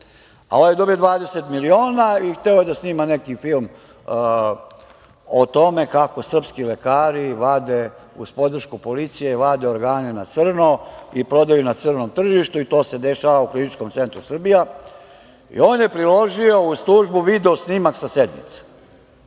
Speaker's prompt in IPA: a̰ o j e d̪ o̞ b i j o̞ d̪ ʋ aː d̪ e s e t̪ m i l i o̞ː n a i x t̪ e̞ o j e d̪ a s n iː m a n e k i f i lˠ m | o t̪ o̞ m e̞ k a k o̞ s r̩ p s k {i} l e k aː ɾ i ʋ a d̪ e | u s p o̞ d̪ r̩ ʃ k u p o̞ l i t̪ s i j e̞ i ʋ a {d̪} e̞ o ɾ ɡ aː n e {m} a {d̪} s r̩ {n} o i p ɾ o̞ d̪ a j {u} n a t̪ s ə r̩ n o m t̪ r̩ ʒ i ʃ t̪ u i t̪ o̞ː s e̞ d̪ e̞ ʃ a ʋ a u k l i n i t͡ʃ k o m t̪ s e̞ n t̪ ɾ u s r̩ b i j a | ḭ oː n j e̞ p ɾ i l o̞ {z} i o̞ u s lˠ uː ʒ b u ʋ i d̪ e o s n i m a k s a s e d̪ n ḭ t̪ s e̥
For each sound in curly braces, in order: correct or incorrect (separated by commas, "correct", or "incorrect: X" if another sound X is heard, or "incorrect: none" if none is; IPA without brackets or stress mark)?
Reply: correct, correct, incorrect: n, incorrect: t̪, correct, correct, incorrect: ʒ